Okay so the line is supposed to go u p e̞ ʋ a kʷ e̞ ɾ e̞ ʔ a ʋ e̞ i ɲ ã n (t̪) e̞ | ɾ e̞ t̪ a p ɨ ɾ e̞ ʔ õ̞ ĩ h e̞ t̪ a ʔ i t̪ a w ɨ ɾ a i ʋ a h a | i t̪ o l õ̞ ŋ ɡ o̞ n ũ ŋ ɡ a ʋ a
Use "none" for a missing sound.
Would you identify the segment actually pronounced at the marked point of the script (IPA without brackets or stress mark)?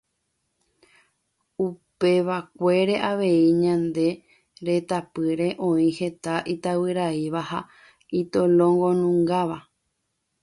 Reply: d̪